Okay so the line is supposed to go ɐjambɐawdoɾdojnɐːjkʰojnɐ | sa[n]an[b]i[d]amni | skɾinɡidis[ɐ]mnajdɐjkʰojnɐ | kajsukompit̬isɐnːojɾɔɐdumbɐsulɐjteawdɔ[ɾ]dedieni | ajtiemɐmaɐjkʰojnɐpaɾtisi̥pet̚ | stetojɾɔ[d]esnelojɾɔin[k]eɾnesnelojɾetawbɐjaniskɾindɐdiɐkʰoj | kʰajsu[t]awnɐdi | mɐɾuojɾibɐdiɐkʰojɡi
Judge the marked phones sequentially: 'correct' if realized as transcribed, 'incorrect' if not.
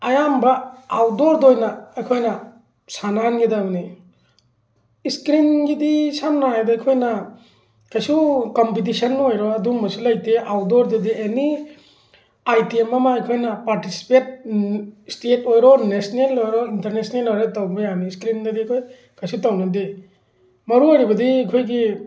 correct, incorrect: ɡ, correct, incorrect: a, correct, incorrect: n, incorrect: t, correct

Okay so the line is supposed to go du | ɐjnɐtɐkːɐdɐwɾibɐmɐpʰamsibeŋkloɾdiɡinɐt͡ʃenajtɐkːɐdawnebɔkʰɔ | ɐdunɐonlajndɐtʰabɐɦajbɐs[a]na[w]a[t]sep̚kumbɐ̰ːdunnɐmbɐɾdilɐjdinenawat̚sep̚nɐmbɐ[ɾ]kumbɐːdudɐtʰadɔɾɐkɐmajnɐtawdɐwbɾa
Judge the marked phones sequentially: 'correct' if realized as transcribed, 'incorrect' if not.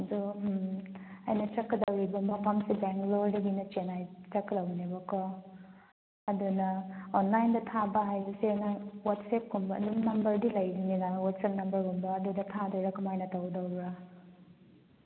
incorrect: e, correct, correct, correct

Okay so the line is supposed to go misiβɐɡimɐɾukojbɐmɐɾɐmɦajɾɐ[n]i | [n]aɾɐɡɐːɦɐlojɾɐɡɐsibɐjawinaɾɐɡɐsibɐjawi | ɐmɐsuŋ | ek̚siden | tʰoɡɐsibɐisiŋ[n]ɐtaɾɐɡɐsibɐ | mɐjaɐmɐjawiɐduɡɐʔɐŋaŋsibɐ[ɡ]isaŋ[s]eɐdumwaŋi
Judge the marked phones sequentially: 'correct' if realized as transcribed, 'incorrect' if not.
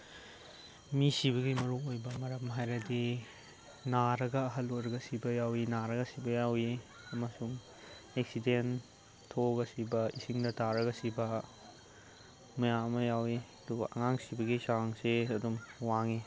incorrect: d, correct, incorrect: d, correct, correct

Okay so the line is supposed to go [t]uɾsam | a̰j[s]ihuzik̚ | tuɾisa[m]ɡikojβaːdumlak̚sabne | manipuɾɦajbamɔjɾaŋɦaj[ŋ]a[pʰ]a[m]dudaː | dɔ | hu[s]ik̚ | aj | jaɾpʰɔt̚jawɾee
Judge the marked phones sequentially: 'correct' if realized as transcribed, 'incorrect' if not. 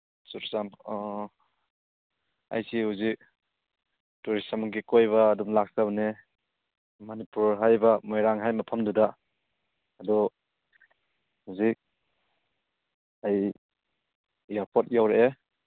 incorrect: s, correct, correct, incorrect: m, correct, correct, incorrect: z

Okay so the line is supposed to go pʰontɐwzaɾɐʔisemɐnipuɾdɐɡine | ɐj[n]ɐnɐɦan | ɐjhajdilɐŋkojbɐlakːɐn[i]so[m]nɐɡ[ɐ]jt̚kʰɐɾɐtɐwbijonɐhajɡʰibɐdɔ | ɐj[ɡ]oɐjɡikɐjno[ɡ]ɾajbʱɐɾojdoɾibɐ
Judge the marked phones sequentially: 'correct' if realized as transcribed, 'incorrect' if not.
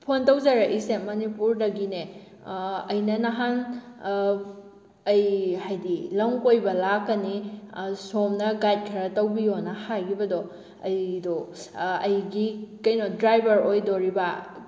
correct, correct, correct, incorrect: a, incorrect: d, incorrect: d

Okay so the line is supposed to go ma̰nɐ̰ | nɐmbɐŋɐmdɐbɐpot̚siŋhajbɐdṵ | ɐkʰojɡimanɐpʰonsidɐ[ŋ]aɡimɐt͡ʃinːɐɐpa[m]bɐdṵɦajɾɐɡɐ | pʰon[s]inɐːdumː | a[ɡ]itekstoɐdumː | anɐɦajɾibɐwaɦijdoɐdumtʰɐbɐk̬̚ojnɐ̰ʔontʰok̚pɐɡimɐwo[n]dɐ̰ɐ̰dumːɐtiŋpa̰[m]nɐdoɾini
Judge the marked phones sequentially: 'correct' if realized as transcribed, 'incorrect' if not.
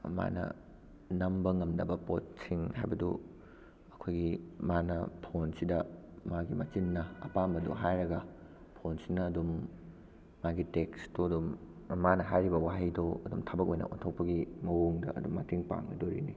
incorrect: m, correct, correct, correct, incorrect: ŋ, incorrect: ŋ

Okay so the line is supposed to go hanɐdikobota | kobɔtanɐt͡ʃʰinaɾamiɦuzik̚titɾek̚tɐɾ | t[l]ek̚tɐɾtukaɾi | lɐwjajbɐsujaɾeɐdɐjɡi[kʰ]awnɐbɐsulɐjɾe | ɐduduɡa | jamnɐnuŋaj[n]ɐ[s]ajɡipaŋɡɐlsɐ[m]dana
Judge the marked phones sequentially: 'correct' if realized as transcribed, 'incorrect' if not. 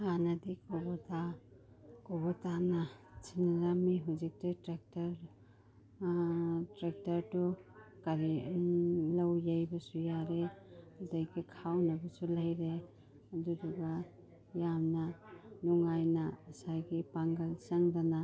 incorrect: ɾ, correct, correct, correct, incorrect: ŋ

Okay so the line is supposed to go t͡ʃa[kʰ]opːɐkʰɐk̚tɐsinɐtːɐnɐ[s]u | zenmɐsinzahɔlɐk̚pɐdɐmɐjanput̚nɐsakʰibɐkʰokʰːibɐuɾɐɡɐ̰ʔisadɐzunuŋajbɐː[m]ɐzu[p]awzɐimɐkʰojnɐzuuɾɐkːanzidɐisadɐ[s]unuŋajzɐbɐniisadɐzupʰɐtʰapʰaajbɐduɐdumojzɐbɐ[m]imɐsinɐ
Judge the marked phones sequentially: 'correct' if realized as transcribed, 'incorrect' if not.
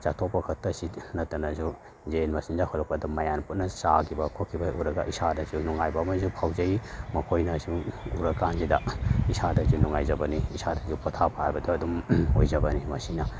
incorrect: tʰ, incorrect: z, correct, incorrect: pʰ, incorrect: z, incorrect: n

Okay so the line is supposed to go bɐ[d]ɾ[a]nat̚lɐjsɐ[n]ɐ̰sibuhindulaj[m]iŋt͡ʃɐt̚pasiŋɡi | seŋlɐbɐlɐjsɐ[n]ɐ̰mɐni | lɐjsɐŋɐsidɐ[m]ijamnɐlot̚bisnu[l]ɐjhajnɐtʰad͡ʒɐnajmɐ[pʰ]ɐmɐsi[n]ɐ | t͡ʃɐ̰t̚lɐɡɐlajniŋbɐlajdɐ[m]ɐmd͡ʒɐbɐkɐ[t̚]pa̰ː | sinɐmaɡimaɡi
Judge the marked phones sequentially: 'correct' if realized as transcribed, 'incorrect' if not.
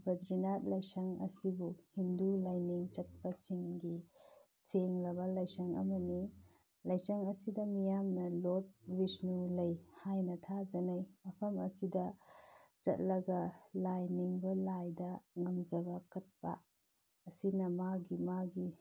correct, incorrect: i, incorrect: ŋ, incorrect: n, incorrect: ŋ, correct, correct, correct, incorrect: d, incorrect: ŋ, correct

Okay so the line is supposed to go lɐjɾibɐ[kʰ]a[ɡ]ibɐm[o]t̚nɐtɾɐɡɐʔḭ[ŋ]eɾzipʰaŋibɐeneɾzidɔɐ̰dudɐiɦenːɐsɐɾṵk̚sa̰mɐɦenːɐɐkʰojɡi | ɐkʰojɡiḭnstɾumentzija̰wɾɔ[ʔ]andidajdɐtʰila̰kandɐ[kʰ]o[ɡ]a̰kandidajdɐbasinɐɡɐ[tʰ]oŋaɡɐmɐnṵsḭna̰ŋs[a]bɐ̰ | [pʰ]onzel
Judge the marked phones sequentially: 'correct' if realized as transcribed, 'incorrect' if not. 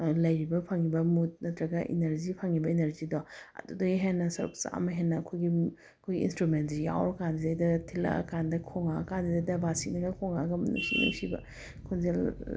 incorrect: pʰ, incorrect: ŋ, incorrect: u, incorrect: n, incorrect: k, correct, incorrect: ŋ, incorrect: kʰ, incorrect: i, incorrect: kʰ

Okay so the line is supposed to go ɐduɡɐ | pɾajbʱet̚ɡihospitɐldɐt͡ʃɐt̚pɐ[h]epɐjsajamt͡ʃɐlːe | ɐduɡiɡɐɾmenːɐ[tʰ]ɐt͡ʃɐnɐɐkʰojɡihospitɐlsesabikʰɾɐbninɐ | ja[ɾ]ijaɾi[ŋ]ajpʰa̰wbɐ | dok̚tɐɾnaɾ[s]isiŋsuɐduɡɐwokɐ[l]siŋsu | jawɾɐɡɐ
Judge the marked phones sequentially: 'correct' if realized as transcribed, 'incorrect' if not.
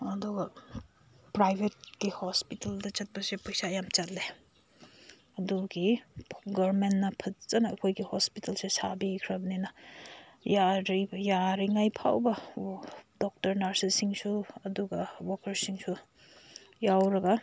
incorrect: s, incorrect: pʰ, correct, correct, correct, incorrect: ɾ

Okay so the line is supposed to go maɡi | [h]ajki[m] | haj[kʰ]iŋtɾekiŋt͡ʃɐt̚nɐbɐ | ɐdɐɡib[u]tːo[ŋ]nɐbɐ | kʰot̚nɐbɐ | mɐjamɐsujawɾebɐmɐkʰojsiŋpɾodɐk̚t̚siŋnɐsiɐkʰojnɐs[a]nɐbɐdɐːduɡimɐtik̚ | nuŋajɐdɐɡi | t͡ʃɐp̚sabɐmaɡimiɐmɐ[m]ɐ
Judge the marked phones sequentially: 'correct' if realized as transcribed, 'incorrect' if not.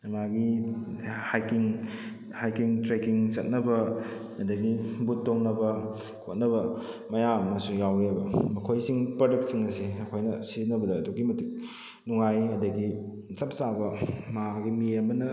correct, incorrect: ŋ, incorrect: k, correct, correct, incorrect: i, incorrect: n

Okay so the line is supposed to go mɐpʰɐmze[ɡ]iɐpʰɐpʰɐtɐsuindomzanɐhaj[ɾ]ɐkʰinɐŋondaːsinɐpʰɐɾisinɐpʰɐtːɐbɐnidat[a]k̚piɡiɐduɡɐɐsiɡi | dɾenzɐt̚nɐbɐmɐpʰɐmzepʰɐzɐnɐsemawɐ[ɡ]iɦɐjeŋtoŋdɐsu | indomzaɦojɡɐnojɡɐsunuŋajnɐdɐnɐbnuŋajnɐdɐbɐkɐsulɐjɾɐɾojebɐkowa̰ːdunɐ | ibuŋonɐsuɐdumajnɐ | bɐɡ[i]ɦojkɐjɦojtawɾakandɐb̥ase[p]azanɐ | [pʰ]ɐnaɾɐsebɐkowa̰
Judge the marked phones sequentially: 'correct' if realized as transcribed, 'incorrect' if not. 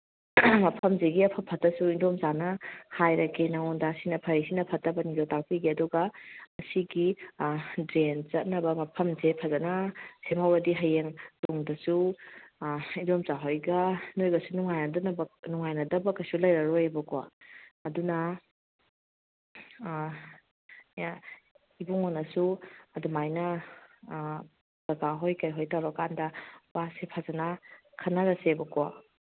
correct, correct, correct, incorrect: d, incorrect: a, incorrect: pʰ, incorrect: kʰ

